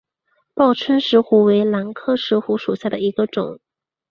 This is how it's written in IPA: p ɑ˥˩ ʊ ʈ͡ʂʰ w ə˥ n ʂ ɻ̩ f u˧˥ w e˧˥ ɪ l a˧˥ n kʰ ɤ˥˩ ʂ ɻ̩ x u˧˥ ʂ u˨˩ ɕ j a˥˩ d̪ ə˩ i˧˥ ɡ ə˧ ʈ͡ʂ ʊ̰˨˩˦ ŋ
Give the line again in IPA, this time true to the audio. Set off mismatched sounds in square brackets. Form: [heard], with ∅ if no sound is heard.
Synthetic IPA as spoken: p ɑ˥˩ ʊ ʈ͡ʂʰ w ə˥ n ʂ ɻ̩ [x] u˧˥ w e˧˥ ɪ l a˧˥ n kʰ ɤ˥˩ ʂ ɻ̩ x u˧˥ ʂ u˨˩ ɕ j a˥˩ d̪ ə˩ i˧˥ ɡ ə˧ ʈ͡ʂ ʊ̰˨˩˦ ŋ